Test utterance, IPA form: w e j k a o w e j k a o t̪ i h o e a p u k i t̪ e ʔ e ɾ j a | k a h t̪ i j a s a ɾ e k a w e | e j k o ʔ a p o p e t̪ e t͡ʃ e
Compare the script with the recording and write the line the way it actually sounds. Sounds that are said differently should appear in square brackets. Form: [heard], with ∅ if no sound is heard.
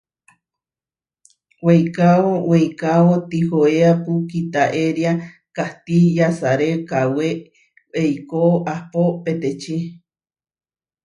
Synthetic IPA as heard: w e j k a o w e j k a o t̪ i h o e a p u k i t̪ [a] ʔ e ɾ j a | k a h t̪ i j a s a ɾ e k a w e | e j k o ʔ a p o p e t̪ e t͡ʃ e